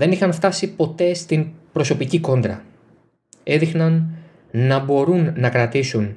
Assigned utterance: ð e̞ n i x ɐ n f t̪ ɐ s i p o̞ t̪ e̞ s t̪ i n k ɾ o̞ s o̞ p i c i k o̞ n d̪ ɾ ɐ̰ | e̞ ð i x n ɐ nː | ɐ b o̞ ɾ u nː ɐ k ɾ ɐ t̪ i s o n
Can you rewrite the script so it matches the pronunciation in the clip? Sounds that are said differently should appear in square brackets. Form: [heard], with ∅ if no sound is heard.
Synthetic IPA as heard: ð e̞ n i x ɐ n f t̪ ɐ s i p o̞ t̪ e̞ s t̪ i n [p] ɾ o̞ s o̞ p i c i k o̞ n d̪ ɾ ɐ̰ | e̞ ð i x n ɐ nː | ɐ b o̞ ɾ u nː ɐ k ɾ ɐ t̪ i s [u] n